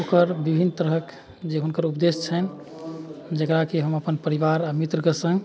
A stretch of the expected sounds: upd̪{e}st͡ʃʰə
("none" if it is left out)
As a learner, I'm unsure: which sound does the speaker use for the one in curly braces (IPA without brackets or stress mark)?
e